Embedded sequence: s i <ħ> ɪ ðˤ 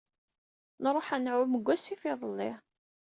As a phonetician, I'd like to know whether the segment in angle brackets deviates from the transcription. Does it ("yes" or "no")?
yes